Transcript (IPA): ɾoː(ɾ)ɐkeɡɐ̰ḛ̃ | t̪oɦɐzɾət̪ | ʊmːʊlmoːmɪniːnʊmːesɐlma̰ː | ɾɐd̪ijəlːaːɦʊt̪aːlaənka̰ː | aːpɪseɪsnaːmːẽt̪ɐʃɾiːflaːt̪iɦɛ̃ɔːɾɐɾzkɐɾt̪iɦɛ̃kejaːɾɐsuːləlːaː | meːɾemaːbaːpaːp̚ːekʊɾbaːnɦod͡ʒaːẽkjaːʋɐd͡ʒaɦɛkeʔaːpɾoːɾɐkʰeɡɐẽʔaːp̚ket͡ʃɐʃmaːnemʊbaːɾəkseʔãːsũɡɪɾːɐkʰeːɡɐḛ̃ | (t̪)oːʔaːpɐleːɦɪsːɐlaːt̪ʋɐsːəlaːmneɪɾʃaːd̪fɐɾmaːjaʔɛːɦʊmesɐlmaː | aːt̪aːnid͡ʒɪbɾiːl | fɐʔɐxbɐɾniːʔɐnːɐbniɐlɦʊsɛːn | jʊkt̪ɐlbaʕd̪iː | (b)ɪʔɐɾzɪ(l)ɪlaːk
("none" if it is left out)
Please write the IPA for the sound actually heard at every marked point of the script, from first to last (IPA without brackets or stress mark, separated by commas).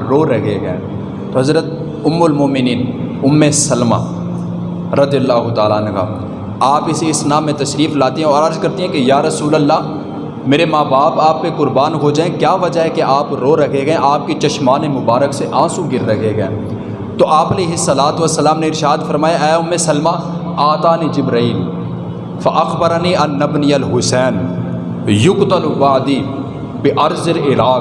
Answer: ɾ, t̪, b, l